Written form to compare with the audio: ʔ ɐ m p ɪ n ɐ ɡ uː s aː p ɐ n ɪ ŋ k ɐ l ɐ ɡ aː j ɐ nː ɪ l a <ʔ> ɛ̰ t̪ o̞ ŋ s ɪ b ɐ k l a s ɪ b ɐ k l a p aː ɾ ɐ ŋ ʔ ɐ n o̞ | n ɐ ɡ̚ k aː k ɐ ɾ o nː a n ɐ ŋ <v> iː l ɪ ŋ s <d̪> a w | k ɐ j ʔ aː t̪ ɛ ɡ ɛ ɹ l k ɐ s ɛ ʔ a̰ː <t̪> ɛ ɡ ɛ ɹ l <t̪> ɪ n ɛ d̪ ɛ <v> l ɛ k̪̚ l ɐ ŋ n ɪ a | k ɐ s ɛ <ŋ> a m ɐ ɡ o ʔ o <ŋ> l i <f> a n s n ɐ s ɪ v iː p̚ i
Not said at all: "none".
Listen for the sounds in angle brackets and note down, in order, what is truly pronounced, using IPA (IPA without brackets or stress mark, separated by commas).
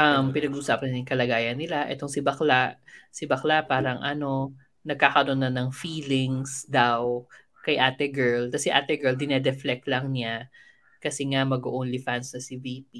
ʔ, f, d̪, t̪, d̪, f, ŋ, n, f